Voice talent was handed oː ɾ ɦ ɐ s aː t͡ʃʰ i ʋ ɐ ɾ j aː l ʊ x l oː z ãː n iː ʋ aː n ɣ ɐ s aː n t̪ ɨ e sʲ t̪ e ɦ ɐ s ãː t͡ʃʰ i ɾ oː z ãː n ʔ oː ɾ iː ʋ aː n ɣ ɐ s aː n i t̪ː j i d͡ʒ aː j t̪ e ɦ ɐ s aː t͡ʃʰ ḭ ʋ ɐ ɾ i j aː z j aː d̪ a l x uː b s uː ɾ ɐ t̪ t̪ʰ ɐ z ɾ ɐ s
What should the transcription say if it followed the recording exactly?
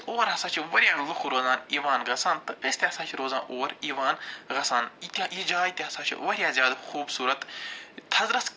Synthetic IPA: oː ɾ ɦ ɐ s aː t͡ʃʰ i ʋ ɐ ɾ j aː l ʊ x ɾ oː z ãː n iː ʋ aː n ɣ ɐ s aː n t̪ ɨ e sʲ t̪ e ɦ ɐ s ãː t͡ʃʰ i ɾ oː z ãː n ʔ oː ɾ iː ʋ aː n ɣ ɐ s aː n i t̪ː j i d͡ʒ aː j t̪ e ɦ ɐ s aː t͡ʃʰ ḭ ʋ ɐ ɾ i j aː z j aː d̪ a x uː b s uː ɾ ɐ t̪ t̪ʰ ɐ z ɾ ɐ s

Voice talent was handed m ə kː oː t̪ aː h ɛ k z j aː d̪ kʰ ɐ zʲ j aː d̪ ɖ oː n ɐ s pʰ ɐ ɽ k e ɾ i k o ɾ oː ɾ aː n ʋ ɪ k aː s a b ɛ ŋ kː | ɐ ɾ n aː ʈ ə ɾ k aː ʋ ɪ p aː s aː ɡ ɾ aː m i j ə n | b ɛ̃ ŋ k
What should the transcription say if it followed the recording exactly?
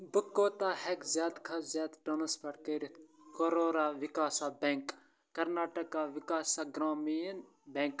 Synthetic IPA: b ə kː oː t̪ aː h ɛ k z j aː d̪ kʰ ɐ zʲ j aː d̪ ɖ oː n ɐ s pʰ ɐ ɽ k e ɾ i k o ɾ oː ɾ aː ʋ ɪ k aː s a b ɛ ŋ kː | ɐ ɾ n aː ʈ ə k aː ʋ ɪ k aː s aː ɡ ɾ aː m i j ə n | b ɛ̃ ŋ k

